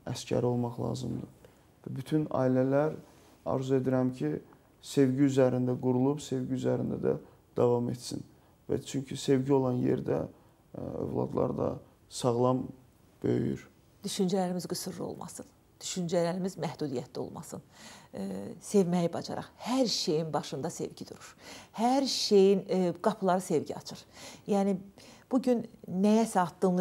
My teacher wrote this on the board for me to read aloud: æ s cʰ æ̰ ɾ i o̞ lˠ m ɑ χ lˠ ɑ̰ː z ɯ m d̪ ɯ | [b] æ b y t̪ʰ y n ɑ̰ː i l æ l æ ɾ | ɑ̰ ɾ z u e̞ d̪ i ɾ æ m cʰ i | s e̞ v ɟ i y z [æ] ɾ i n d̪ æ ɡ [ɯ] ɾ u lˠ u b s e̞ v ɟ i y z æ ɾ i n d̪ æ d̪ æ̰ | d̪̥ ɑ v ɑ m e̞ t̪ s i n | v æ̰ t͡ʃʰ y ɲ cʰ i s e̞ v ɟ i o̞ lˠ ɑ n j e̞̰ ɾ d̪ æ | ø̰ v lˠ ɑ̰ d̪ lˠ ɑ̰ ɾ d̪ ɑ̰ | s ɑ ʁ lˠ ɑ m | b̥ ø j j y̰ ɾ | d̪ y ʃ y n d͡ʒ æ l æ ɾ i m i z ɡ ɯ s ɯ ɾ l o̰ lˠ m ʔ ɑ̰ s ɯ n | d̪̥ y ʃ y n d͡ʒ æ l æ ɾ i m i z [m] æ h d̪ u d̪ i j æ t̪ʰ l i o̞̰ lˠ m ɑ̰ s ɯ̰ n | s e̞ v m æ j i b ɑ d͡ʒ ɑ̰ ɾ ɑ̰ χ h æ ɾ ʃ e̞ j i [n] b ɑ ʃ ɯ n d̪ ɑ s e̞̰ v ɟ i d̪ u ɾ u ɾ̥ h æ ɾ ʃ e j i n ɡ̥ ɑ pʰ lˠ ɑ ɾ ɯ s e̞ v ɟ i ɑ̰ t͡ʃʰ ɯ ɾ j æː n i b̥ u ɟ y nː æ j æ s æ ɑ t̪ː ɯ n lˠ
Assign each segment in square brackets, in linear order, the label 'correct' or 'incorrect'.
incorrect: v, correct, incorrect: u, correct, correct

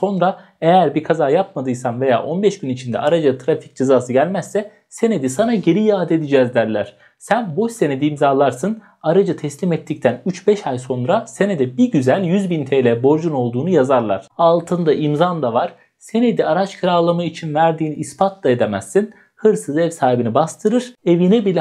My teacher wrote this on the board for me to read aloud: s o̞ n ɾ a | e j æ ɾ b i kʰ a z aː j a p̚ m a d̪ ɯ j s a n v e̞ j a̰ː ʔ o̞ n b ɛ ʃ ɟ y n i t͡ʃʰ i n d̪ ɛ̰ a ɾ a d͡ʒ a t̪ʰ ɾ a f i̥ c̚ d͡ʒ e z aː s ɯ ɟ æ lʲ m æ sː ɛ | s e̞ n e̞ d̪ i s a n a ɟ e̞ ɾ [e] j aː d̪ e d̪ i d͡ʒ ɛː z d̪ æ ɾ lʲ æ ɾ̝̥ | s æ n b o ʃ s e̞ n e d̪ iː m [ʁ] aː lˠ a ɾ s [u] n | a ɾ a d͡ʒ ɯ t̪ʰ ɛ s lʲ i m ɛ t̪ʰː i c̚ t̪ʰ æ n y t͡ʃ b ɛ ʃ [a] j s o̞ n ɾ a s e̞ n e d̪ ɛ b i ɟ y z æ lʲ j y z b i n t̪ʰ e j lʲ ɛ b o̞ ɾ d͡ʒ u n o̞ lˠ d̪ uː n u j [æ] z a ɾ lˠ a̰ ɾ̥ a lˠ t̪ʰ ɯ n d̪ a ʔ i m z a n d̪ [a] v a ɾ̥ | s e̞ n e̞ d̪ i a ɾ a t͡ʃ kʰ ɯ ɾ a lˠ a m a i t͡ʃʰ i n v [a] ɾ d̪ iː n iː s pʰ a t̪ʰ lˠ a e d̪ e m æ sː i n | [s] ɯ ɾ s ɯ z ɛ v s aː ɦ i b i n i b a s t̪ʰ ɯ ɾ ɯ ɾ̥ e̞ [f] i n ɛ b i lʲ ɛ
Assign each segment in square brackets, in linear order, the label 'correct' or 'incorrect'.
incorrect: i, incorrect: z, incorrect: ɯ, correct, incorrect: a, correct, incorrect: æ, incorrect: h, incorrect: v

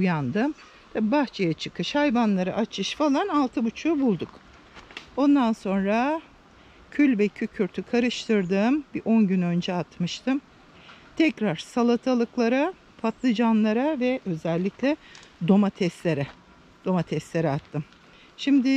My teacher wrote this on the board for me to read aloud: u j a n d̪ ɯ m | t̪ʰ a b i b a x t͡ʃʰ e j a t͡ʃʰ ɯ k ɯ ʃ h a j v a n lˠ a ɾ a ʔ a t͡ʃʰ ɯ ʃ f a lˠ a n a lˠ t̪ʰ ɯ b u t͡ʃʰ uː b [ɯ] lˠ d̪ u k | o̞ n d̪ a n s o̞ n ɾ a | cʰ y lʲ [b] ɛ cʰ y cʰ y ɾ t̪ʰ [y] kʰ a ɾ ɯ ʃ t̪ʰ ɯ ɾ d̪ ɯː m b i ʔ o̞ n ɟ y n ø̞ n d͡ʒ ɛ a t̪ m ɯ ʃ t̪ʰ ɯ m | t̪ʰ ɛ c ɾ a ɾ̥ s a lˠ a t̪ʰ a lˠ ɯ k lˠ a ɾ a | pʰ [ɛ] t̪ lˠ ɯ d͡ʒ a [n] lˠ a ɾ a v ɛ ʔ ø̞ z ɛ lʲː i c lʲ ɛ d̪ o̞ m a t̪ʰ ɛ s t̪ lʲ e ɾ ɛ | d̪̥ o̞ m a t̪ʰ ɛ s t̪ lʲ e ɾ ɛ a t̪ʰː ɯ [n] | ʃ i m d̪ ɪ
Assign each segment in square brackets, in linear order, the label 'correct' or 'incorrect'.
incorrect: u, incorrect: v, correct, incorrect: a, correct, incorrect: m

